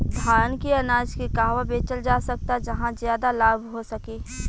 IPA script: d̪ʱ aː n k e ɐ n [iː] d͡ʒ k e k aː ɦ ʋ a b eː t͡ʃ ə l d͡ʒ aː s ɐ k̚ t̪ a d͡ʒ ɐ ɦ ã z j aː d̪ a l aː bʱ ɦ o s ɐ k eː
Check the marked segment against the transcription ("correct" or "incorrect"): incorrect